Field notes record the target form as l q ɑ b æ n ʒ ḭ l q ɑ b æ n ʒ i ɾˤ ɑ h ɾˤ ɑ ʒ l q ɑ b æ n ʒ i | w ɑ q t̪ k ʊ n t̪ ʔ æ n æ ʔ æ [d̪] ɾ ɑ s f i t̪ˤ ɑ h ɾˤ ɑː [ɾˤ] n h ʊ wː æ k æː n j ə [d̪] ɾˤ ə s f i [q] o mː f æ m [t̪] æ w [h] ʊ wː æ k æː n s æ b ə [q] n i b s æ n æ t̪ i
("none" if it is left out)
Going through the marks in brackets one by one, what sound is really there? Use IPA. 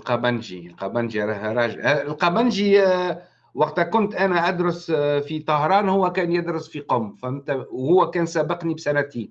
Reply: d̪, none, d̪, q, t̪, h, q

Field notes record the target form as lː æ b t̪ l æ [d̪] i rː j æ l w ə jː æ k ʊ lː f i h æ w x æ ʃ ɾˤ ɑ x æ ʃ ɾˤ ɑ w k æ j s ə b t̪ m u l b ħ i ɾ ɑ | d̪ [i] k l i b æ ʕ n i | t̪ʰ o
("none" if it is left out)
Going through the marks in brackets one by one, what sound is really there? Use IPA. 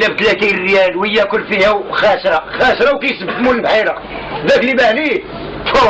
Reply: t̪, æ

